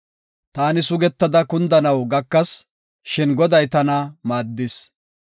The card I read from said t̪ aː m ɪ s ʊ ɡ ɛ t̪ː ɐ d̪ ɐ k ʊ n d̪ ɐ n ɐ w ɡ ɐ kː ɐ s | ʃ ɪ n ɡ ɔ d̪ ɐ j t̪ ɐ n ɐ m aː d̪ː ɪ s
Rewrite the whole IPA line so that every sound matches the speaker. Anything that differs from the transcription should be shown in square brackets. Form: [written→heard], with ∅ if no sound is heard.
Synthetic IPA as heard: t̪ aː [m→n] ɪ s ʊ ɡ ɛ t̪ː ɐ d̪ ɐ k ʊ n d̪ ɐ n ɐ w ɡ ɐ kː ɐ s | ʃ ɪ n ɡ ɔ d̪ ɐ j t̪ ɐ n ɐ m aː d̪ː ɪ s